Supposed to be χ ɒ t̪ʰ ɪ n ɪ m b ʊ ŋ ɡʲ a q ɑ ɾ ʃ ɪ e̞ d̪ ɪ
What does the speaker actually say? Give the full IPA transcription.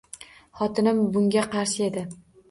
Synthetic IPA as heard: χ ɒ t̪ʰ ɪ n ɪ m b ʊ ŋ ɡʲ a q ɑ ɾ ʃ ɪ e̞ d̪ ɪ